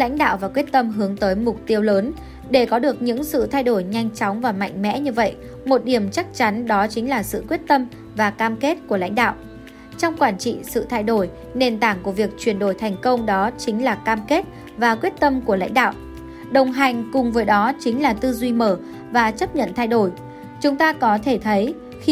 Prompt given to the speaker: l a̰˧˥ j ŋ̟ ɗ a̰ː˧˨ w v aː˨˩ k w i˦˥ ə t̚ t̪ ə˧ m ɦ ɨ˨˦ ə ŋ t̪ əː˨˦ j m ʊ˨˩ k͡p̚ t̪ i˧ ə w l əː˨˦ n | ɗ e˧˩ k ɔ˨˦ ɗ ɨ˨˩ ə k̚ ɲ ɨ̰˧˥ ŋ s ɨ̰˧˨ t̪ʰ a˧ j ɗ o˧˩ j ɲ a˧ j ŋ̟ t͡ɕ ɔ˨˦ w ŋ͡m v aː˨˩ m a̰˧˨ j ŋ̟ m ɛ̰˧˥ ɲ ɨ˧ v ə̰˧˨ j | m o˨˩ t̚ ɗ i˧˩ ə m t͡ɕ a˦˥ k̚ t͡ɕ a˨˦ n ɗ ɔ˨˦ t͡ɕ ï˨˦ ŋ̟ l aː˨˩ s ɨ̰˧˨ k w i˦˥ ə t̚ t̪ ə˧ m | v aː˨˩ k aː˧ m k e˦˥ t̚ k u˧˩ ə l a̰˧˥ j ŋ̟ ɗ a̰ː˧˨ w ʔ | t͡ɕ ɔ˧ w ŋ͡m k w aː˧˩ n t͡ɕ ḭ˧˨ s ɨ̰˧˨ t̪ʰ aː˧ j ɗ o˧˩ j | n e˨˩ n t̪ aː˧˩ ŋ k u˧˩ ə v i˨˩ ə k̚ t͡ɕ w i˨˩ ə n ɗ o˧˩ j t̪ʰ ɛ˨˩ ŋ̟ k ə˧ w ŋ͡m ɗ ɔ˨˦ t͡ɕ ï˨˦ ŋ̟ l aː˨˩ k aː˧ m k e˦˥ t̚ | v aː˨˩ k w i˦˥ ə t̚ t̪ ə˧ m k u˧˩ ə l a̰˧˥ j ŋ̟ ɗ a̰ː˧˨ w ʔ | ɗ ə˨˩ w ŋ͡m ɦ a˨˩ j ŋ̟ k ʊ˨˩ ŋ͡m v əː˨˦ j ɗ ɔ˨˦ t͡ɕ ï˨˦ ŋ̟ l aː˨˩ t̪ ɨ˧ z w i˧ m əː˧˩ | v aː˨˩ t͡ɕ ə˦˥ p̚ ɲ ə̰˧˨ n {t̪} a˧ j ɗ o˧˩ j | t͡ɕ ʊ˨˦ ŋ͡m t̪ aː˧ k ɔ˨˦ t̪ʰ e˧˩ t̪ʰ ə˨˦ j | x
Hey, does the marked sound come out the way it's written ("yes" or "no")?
no